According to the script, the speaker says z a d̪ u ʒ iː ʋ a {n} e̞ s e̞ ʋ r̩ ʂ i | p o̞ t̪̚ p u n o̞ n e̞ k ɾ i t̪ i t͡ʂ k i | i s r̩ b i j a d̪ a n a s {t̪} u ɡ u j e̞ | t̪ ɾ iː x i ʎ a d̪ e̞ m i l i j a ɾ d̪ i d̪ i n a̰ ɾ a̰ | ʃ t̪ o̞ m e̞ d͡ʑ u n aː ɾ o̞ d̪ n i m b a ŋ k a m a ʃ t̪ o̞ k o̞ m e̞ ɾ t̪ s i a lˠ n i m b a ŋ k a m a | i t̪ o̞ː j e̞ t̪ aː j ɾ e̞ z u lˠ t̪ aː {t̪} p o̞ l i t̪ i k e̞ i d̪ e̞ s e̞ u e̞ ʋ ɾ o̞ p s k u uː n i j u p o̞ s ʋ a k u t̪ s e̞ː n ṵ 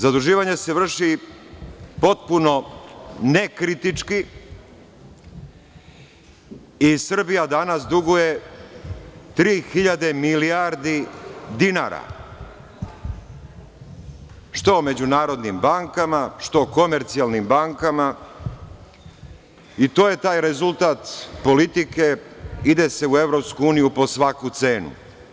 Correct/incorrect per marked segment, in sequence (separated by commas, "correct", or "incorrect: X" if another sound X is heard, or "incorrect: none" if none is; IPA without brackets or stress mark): incorrect: ɲ, incorrect: d̪, correct